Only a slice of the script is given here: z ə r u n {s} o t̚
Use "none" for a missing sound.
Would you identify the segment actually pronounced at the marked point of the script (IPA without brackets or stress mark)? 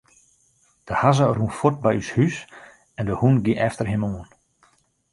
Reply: f